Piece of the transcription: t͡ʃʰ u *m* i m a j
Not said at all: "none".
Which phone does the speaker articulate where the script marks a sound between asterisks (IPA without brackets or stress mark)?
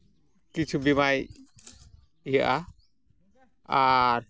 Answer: b